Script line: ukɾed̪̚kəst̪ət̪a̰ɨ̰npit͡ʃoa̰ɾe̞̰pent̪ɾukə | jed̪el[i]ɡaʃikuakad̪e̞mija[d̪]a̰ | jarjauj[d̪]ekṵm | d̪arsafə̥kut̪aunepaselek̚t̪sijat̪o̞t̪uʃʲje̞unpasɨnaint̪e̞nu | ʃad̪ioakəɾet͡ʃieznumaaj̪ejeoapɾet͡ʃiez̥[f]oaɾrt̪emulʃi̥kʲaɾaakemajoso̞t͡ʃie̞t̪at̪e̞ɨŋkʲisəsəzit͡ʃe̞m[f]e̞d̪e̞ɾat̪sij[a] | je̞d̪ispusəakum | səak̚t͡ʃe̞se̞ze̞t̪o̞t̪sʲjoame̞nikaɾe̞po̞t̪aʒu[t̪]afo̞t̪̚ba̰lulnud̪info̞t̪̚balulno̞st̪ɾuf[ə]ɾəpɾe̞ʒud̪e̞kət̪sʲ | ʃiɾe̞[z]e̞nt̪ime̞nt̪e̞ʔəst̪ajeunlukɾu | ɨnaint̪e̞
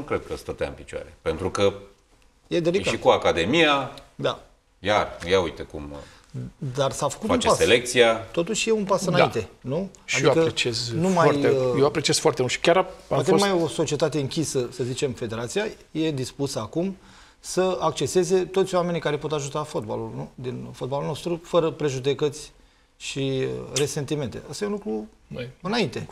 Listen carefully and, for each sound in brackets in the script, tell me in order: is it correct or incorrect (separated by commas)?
correct, correct, incorrect, correct, correct, correct, correct, correct, incorrect